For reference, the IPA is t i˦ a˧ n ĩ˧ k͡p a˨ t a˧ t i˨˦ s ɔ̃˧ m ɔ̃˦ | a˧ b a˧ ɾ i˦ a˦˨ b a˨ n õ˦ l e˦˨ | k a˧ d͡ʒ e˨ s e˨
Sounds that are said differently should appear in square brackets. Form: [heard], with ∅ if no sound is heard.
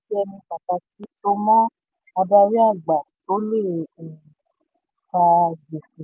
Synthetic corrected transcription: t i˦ [ɛ˧] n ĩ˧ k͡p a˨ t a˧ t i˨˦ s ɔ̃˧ m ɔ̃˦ | a˧ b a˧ ɾ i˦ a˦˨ [ɡ͡b] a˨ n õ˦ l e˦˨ | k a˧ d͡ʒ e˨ s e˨